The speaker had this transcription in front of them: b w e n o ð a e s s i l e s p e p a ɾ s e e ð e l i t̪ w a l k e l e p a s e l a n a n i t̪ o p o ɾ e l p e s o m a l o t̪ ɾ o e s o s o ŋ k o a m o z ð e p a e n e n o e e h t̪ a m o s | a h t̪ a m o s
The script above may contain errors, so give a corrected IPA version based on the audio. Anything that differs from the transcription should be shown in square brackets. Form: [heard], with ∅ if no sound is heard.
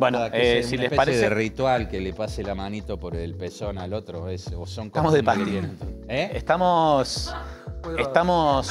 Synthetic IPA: b w e n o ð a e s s i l e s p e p a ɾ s e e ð e [r] i t̪ w a l k e l e p a s e l a [m] a n i t̪ o p o ɾ e l p e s o [n] a l o t̪ ɾ o e s o s o ŋ k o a m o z ð e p a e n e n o e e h t̪ a m o s | [e] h t̪ a m o s